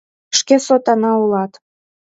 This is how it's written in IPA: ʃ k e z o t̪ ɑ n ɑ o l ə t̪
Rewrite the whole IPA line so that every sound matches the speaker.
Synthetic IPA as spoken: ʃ k e s o t̪ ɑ n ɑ u l ɑ t̪